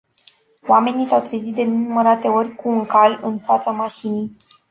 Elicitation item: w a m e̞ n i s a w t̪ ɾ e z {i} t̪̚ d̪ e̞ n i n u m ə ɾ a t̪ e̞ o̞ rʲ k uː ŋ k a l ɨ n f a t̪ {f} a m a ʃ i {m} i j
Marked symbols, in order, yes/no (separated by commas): yes, no, no